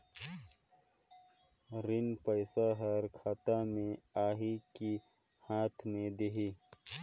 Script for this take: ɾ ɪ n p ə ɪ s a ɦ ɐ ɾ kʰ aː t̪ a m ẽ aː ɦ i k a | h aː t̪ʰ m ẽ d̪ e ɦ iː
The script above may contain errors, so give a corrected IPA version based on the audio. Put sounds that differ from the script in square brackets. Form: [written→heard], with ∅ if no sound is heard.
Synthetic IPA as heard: ɾ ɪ n p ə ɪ s a ɦ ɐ ɾ kʰ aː t̪ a m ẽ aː ɦ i k [a→i] | h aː t̪ʰ m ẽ d̪ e ɦ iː